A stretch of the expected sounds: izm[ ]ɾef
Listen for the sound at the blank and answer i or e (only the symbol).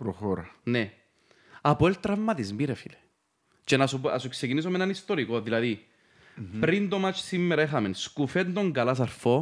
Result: i